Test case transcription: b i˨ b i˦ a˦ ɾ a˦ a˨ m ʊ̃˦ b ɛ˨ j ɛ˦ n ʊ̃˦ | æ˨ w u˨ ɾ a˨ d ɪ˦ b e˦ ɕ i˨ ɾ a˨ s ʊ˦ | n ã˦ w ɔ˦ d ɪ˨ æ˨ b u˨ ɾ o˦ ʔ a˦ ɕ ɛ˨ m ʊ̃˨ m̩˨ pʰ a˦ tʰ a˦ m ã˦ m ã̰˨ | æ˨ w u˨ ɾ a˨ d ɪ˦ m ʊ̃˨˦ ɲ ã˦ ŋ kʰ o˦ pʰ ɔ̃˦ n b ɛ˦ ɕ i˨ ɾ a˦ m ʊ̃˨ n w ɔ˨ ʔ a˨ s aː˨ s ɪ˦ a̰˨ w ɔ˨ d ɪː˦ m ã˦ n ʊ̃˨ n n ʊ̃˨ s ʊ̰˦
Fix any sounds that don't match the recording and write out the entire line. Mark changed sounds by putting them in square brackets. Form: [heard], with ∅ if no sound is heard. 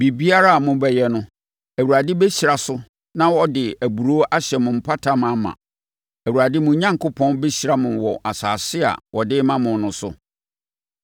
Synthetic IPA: b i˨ b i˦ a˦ ɾ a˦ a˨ m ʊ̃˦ b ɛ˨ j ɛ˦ n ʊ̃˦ | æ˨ w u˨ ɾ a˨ d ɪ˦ b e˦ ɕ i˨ ɾ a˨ s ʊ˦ | n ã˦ w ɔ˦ d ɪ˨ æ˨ b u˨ ɾ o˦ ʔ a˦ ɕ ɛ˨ m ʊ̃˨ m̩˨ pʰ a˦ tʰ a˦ m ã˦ m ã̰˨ | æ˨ w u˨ ɾ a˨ d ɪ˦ m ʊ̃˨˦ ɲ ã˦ ŋ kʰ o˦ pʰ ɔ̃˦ n b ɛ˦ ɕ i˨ ɾ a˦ m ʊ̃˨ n w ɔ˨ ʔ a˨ s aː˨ s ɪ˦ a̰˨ w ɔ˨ d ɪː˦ m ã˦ [m] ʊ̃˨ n n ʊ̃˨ s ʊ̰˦